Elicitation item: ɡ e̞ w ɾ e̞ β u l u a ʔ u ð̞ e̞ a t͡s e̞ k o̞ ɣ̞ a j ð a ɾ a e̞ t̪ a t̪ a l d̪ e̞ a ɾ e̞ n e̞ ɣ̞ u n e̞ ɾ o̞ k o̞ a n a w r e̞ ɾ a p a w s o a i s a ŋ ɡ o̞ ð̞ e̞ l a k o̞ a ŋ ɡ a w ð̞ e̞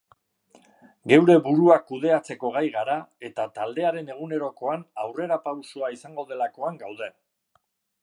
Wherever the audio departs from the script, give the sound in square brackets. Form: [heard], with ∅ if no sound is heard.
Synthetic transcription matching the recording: ɡ e̞ w ɾ e̞ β u [ɾ] u a [k] u ð̞ e̞ a t͡s e̞ k o̞ ɣ̞ a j [ɣ] a ɾ a e̞ t̪ a t̪ a l d̪ e̞ a ɾ e̞ n e̞ ɣ̞ u n e̞ ɾ o̞ k o̞ a n a w r e̞ ɾ a p a w s o a i s a ŋ ɡ o̞ ð̞ e̞ l a k o̞ a ŋ ɡ a w ð̞ e̞